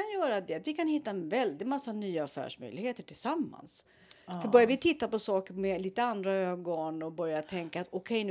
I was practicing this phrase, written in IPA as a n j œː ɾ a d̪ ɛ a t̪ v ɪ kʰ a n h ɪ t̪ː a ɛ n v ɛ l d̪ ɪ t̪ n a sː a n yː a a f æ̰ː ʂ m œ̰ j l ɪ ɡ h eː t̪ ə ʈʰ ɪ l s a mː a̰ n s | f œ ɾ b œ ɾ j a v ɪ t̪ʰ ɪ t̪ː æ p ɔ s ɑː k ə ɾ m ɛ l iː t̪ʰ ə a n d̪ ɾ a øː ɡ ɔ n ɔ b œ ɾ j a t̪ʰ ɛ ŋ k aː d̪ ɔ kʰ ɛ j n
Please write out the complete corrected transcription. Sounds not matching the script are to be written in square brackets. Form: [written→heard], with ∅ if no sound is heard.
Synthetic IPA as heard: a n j œː ɾ a d̪ ɛ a t̪ v ɪ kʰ a n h ɪ t̪ː a ɛ n v ɛ l d̪ ɪ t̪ [n→m] a sː a n yː a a f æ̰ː ʂ m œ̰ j l ɪ ɡ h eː t̪ ə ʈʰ ɪ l s a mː a̰ n s | f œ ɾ b œ ɾ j a v ɪ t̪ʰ ɪ t̪ː [æ→a] p ɔ s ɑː k ə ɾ m ɛ l iː [t̪ʰ→t̪] ə a n d̪ ɾ a øː ɡ ɔ n ɔ b œ ɾ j a t̪ʰ ɛ ŋ k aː [d̪→t̪] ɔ kʰ ɛ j n